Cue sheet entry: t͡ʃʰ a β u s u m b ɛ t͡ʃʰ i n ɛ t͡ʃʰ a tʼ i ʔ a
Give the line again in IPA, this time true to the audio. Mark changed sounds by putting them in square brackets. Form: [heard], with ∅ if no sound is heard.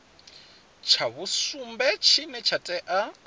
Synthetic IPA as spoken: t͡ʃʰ a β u s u m b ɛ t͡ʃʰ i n ɛ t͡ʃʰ a tʼ [ɛ] ʔ a